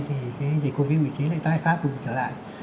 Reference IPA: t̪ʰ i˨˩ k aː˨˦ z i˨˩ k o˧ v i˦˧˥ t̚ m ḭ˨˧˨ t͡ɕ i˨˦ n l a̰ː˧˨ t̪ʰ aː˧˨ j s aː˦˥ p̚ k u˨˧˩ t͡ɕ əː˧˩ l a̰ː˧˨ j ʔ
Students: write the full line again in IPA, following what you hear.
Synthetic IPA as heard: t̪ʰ i˨˩ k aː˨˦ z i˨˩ k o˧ v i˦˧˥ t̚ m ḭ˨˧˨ t͡ɕ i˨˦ n l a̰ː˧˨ t̪ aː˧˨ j f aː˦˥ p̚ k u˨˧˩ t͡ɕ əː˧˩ l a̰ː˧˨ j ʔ